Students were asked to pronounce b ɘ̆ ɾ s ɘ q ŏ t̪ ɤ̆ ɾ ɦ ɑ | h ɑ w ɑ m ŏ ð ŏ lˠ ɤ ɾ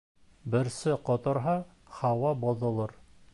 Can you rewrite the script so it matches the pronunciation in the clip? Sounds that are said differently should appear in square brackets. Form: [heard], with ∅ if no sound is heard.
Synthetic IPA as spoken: b ɘ̆ ɾ s ɘ q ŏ t̪ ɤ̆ ɾ ɦ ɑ | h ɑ w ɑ [b] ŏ ð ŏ lˠ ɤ ɾ

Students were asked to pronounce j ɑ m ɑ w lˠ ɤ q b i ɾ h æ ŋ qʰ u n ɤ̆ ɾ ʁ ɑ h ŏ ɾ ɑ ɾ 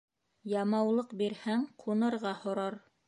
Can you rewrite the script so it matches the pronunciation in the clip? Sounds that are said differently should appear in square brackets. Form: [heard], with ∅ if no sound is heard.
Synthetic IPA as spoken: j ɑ m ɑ w lˠ ɤ q b i ɾ h æ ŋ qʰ u n ɤ̆ ɾ ʁ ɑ h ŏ ɾ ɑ ɾ

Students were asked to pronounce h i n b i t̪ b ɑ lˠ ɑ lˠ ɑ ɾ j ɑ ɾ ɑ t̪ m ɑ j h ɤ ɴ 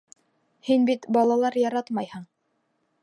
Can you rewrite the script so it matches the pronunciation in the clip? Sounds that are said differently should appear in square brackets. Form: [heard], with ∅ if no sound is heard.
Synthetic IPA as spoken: h i n b i t̪ b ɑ lˠ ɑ lˠ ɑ ɾ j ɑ ɾ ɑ t̪ m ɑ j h ɤ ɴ

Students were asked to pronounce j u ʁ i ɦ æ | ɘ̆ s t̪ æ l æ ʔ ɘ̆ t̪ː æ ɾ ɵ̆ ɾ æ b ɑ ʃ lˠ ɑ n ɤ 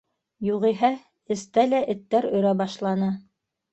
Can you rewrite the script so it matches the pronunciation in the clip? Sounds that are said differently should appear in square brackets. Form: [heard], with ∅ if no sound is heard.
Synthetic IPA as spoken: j u ʁ i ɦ æ | ɘ̆ s t̪ æ l æ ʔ ɘ̆ t̪ː æ ɾ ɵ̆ ɾ æ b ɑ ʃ lˠ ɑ n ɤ

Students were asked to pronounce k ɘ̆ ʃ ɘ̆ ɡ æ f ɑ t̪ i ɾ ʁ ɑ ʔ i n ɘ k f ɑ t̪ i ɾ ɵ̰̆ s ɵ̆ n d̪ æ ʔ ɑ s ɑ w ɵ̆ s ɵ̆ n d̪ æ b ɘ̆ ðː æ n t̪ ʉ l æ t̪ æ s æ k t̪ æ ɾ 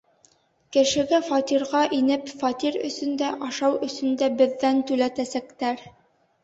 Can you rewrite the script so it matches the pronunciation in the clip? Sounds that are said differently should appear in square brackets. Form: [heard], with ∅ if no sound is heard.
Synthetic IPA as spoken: k ɘ̆ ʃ ɘ̆ ɡ æ f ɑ t̪ i ɾ ʁ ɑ ʔ i n ɘ [p] f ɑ t̪ i ɾ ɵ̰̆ s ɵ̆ n d̪ æ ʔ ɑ [ʃ] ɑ w ɵ̆ s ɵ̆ n d̪ æ b ɘ̆ ðː æ n t̪ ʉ l æ t̪ æ s æ k t̪ æ ɾ

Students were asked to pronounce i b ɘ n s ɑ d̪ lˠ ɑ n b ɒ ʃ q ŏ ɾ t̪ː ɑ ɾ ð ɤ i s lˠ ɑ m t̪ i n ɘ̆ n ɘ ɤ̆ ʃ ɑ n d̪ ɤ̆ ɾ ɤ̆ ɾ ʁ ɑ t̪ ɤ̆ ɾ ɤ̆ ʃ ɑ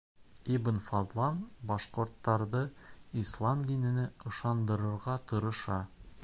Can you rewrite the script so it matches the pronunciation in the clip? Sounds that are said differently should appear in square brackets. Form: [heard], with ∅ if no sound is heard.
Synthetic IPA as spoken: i b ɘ n [f] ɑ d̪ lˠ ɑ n b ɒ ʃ q ŏ ɾ t̪ː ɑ ɾ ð ɤ i s lˠ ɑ m [d̪] i n ɘ̆ n ɘ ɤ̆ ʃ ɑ n d̪ ɤ̆ ɾ ɤ̆ ɾ ʁ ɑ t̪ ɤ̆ ɾ ɤ̆ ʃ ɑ

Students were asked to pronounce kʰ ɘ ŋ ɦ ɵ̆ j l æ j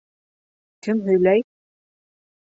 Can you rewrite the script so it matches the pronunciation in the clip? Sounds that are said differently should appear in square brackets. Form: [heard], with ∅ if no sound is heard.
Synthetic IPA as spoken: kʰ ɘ [m] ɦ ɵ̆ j l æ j

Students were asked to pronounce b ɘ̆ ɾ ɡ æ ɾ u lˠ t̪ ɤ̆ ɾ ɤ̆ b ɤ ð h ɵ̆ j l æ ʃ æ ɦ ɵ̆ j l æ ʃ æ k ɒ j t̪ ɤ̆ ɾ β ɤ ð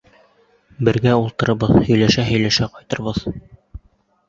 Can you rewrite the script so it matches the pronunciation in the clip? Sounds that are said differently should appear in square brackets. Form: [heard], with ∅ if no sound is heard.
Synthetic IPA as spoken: b ɘ̆ ɾ ɡ æ [∅] u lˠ t̪ ɤ̆ ɾ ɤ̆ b ɤ ð h ɵ̆ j l æ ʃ æ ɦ ɵ̆ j l æ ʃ æ [q] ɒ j t̪ ɤ̆ ɾ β ɤ ð

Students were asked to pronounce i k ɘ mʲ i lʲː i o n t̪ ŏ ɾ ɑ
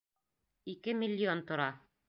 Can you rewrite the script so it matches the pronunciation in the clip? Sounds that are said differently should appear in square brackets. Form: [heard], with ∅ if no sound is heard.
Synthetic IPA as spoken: i k ɘ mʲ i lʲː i o n t̪ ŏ ɾ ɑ

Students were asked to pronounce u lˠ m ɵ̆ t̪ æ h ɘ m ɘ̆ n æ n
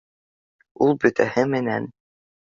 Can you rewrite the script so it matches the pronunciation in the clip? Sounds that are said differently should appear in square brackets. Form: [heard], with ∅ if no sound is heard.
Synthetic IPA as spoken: u lˠ [b] ɵ̆ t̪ æ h ɘ m ɘ̆ n æ n

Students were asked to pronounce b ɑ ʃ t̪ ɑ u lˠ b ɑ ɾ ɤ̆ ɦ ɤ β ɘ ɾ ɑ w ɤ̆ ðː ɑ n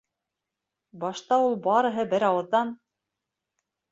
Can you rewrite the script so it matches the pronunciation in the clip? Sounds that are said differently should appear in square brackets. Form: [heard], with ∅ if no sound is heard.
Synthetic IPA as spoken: b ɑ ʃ t̪ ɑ u lˠ b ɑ ɾ ɤ̆ ɦ ɤ [b] ɘ ɾ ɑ w ɤ̆ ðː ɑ n

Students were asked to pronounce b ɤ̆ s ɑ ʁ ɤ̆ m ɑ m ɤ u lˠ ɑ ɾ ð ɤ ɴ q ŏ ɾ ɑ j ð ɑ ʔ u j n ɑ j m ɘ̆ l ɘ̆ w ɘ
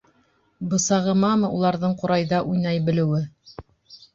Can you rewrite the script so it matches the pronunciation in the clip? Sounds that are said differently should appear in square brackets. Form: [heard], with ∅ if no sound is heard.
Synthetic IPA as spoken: b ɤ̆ s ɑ ʁ ɤ̆ m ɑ m ɤ u lˠ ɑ ɾ ð ɤ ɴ q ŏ ɾ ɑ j ð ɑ ʔ u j n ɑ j [b] ɘ̆ l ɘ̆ w ɘ

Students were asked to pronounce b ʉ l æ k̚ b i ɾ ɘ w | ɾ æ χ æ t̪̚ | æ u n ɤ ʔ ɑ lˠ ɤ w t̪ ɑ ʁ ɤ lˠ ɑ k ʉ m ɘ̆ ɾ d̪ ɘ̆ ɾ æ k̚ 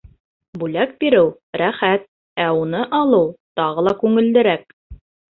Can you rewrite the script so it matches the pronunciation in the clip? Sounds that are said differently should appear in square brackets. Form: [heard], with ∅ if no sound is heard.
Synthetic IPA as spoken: b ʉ l æ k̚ b i ɾ ɘ w | ɾ æ χ æ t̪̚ | æ u n ɤ ʔ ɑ lˠ ɤ w t̪ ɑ ʁ ɤ lˠ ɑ k ʉ [ŋ] ɘ̆ [l] d̪ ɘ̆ ɾ æ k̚

